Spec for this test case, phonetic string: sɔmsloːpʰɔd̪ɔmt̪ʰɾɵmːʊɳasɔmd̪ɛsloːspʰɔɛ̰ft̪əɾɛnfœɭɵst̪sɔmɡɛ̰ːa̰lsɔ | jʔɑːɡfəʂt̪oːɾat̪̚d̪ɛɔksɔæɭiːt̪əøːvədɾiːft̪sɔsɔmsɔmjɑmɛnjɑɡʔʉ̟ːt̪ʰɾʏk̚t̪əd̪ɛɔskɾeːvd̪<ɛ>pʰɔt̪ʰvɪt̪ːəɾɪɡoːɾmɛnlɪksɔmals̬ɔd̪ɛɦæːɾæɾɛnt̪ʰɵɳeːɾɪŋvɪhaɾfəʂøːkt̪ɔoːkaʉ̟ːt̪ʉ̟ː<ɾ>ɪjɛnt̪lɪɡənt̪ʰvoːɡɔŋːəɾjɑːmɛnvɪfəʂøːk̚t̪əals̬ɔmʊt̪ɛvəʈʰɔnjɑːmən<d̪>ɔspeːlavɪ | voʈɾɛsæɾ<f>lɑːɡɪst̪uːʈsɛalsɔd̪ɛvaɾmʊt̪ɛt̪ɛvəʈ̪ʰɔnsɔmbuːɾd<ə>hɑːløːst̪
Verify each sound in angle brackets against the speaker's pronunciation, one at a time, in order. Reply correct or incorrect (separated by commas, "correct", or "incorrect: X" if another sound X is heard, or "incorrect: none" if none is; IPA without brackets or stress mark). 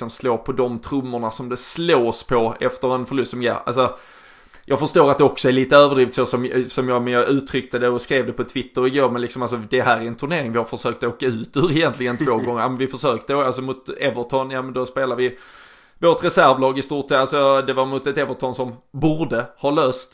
correct, correct, correct, incorrect: v, correct